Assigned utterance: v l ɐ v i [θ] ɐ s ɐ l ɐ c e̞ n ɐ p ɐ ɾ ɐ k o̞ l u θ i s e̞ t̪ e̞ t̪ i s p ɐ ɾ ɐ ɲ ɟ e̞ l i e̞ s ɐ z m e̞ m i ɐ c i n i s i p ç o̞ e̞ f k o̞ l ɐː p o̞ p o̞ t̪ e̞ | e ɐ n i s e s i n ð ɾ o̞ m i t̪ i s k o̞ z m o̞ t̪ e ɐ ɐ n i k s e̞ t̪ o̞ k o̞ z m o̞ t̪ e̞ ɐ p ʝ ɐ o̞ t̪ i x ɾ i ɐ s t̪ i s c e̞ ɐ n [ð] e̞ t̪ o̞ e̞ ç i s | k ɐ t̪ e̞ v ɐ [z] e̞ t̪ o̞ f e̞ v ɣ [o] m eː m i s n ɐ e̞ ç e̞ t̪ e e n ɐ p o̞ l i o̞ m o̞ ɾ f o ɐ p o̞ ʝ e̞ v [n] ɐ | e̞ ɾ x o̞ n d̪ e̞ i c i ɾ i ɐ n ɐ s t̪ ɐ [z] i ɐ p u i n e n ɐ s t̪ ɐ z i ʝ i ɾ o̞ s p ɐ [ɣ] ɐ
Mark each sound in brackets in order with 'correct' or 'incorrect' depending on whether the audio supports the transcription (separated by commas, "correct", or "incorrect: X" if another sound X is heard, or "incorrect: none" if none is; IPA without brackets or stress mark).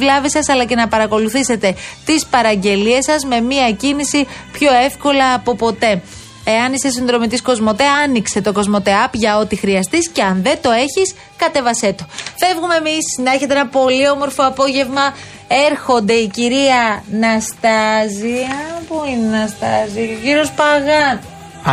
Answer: incorrect: s, correct, incorrect: s, incorrect: u, incorrect: m, correct, correct